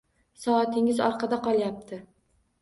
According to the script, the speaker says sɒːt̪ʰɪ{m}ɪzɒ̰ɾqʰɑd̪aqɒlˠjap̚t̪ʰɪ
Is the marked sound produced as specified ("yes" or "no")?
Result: no